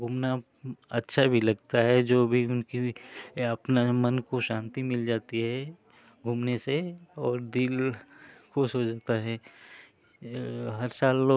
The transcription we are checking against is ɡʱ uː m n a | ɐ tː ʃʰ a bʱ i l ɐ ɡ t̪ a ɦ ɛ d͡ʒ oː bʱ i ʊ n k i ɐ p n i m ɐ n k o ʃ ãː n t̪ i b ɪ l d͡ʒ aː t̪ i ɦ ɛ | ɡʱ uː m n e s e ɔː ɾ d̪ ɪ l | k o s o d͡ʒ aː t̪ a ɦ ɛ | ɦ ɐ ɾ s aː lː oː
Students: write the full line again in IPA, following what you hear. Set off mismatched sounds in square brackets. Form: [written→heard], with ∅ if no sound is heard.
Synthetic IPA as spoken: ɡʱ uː m n a | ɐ tː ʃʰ a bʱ i l ɐ ɡ t̪ a ɦ ɛ d͡ʒ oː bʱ i ʊ n k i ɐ p n [i→a] m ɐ n k o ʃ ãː n t̪ i [b→m] ɪ l d͡ʒ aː t̪ i ɦ ɛ | ɡʱ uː m n e s e ɔː ɾ d̪ ɪ l | k o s o d͡ʒ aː t̪ a ɦ ɛ | ɦ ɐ ɾ s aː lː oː